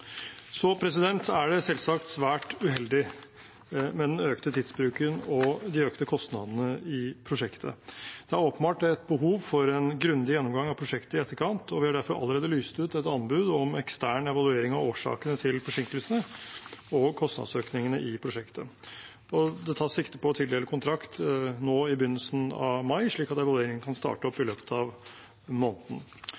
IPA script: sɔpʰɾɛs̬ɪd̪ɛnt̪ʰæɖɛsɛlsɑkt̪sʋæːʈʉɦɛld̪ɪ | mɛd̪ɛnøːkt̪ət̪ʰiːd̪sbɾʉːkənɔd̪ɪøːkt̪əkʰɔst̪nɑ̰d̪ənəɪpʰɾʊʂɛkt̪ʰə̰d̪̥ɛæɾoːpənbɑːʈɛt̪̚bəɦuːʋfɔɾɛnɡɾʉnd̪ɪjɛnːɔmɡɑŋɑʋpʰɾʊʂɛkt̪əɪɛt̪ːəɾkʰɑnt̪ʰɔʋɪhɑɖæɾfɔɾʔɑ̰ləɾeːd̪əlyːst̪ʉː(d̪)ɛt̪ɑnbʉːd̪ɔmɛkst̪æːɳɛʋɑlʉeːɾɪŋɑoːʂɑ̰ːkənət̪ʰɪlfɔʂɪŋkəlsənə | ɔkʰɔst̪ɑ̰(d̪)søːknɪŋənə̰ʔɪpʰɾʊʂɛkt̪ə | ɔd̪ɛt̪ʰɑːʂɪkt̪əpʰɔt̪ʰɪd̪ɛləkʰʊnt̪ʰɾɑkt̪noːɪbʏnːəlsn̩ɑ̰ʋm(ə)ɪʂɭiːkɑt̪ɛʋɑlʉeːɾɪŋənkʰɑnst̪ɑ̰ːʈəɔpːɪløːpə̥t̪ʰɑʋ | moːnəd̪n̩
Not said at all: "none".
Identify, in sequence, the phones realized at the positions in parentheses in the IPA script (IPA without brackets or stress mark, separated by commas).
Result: t̪, d̪, ɑ